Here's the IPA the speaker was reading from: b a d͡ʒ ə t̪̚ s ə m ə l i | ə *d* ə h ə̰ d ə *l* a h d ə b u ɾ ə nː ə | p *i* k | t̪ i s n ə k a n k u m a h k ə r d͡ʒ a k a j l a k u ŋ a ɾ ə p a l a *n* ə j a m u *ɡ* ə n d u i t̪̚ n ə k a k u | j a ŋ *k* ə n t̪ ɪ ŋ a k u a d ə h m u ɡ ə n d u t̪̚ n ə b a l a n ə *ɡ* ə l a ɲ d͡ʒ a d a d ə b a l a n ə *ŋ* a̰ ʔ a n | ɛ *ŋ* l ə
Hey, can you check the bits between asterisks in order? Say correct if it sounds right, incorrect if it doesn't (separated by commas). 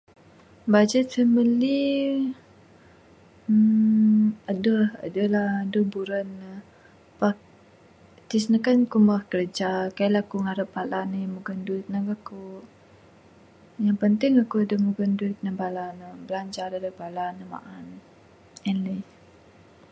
correct, correct, incorrect, correct, correct, incorrect, incorrect, incorrect, incorrect